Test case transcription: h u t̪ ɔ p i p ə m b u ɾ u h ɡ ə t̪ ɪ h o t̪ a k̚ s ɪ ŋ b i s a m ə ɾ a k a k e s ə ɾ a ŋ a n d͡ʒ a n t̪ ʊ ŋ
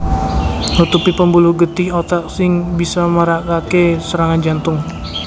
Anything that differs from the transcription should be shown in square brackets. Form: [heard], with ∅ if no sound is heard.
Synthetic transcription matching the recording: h u t̪ [u] p i p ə m b u [l] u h ɡ ə t̪ ɪ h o t̪ a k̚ s ɪ ŋ b i s a m ə ɾ a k a k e s ə ɾ a ŋ a n d͡ʒ a n t̪ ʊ ŋ